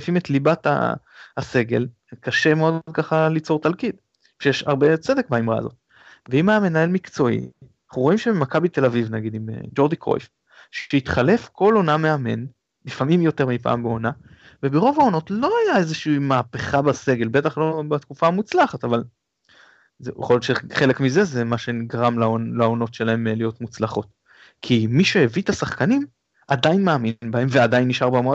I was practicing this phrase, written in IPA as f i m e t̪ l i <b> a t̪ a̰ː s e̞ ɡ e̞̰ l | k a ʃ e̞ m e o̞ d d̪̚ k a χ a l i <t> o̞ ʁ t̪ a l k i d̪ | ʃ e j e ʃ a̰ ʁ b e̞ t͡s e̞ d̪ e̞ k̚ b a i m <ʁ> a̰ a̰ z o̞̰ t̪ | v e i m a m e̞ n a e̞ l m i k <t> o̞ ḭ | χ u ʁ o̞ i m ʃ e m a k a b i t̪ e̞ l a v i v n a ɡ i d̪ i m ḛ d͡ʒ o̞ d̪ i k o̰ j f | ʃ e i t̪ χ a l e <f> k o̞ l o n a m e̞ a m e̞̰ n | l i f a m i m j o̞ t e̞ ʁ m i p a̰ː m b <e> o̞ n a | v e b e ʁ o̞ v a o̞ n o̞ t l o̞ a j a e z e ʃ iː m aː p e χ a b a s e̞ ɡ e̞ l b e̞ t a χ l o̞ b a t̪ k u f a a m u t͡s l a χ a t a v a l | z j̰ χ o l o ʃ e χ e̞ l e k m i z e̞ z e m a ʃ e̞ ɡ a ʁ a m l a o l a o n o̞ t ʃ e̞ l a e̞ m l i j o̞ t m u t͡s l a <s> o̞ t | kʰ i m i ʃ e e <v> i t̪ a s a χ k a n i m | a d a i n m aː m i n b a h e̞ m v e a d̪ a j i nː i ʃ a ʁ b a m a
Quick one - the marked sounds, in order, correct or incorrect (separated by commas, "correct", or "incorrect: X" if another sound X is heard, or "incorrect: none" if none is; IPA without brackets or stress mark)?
correct, incorrect: t͡s, correct, incorrect: t͡s, correct, correct, incorrect: χ, correct